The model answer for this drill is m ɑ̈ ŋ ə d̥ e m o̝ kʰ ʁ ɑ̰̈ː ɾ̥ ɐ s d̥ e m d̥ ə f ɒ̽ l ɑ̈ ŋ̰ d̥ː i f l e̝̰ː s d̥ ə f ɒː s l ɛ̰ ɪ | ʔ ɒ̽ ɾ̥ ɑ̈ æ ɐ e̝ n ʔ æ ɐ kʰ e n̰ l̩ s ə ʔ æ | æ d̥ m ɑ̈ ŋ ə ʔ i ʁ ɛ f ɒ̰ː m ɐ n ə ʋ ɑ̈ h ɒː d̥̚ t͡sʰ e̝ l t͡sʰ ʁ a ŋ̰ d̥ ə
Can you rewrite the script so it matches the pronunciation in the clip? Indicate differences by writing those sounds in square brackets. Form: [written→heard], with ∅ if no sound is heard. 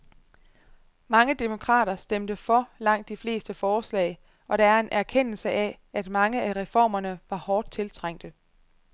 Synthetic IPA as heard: m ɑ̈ ŋ ə d̥ e m o̝ kʰ ʁ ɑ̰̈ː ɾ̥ ɐ s d̥ e m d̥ ə f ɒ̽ l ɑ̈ ŋ̰ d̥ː i f l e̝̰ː s d̥ ə f ɒː s l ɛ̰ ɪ | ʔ ɒ̽ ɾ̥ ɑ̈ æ ɐ e̝ n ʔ æ ɐ kʰ e n̰ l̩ s ə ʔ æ | æ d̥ m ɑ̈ ŋ ə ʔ [i→æ] ʁ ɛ f ɒ̰ː m ɐ n ə ʋ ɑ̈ h ɒː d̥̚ t͡sʰ e̝ l t͡sʰ ʁ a ŋ̰ d̥ ə

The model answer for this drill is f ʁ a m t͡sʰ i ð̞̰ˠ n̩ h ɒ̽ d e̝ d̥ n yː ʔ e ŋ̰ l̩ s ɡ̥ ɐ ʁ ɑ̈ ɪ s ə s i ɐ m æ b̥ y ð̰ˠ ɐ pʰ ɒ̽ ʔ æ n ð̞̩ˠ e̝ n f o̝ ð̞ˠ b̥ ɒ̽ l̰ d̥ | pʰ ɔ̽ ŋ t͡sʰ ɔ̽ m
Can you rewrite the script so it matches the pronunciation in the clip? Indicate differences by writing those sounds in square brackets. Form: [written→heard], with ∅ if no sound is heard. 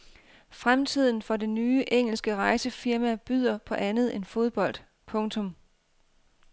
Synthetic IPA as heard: f ʁ a m t͡sʰ i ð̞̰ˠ n̩ [h→f] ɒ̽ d e̝ [d̥→∅] n yː ʔ e ŋ̰ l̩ s ɡ̥ [ɐ→ə] ʁ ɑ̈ ɪ s ə [s→f] i ɐ m æ b̥ y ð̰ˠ ɐ pʰ ɒ̽ ʔ æ n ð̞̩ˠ e̝ n f o̝ ð̞ˠ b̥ ɒ̽ l̰ d̥ | pʰ ɔ̽ ŋ t͡sʰ ɔ̽ m

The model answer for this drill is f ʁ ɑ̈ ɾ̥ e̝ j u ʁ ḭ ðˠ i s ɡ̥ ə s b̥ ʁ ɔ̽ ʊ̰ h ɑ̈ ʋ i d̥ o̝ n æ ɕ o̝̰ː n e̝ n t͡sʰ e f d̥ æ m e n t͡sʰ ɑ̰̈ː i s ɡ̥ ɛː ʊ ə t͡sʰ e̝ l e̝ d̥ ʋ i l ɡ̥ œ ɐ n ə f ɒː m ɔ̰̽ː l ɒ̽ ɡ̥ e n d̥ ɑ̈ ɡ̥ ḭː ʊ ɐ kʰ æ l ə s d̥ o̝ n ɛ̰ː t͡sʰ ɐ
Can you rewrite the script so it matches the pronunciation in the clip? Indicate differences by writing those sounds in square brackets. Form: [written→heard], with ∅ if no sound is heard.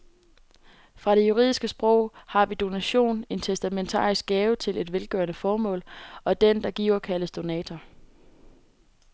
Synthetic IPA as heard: f ʁ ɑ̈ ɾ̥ e̝ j u ʁ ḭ ðˠ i s ɡ̥ ə s b̥ ʁ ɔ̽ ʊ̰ h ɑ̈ ʋ i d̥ o̝ n æ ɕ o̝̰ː n e̝ n t͡sʰ e [f→s] d̥ æ m e n t͡sʰ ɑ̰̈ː i s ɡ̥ ɛː ʊ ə t͡sʰ e̝ l e̝ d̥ ʋ [i→e] l ɡ̥ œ ɐ n ə f ɒː m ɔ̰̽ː l ɒ̽ [ɡ̥→d̥] e n d̥ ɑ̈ ɡ̥ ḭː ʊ ɐ kʰ æ l ə s d̥ o̝ n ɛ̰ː t͡sʰ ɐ

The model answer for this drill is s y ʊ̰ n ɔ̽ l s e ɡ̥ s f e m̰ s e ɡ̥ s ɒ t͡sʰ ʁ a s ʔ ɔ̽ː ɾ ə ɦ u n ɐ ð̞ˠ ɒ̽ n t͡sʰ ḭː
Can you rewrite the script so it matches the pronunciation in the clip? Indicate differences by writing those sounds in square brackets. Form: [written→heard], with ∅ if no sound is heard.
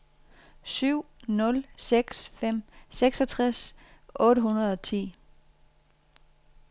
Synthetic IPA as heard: s y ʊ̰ n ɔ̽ l s e ɡ̥ s f e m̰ s e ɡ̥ s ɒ t͡sʰ ʁ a s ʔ ɔ̽ː ɾ ə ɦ u n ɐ ð̞ˠ ɒ̽ [n→∅] t͡sʰ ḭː

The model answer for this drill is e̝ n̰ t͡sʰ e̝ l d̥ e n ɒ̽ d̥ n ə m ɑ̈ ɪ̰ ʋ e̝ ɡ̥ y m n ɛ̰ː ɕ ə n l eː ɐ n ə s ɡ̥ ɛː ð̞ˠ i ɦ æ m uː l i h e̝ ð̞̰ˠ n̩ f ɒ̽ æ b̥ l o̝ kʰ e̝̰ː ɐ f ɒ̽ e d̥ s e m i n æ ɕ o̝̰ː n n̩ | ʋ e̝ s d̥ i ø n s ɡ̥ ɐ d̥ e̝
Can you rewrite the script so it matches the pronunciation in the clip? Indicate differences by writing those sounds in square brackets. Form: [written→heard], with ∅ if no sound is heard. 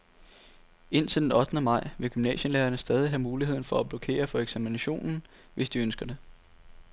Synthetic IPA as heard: e̝ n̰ t͡sʰ e̝ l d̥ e n ɒ̽ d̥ n ə m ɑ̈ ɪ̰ ʋ e̝ ɡ̥ y m n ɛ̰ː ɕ ə n l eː ɐ n ə s [ɡ̥→d̥] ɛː ð̞ˠ i ɦ æ m uː l i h e̝ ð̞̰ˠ n̩ f ɒ̽ æ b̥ l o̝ kʰ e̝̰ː ɐ f ɒ̽ e [d̥→ɡ̥] s [e→æ] m i n æ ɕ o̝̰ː n n̩ | ʋ e̝ s d̥ i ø n s ɡ̥ ɐ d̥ e̝

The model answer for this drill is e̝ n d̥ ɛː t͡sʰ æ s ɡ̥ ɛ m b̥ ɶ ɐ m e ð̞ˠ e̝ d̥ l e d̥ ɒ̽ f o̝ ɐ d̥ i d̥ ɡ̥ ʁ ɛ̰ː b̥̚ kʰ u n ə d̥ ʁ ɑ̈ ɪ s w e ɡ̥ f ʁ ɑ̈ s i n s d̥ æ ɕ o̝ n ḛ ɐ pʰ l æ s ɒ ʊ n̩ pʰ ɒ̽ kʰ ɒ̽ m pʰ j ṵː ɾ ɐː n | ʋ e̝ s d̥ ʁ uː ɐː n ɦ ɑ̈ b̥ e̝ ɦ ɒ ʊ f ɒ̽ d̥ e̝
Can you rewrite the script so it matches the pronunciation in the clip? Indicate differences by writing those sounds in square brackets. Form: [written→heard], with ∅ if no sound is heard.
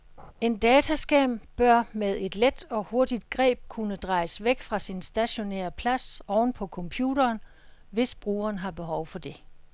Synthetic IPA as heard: e̝ n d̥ ɛː t͡sʰ æ s ɡ̥ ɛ m b̥ ɶ ɐ m e ð̞ˠ e̝ d̥ l e d̥ ɒ̽ [f→h] o̝ ɐ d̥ i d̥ ɡ̥ ʁ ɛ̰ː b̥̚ kʰ u n ə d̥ ʁ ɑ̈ ɪ s [w→ʋ] e ɡ̥ f ʁ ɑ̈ s i n s d̥ æ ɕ o̝ n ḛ ɐ pʰ l æ s ɒ ʊ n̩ pʰ ɒ̽ kʰ ɒ̽ m pʰ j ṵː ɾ ɐː n | ʋ e̝ s [d̥→b̥] ʁ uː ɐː n ɦ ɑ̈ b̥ e̝ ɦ ɒ ʊ f ɒ̽ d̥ e̝

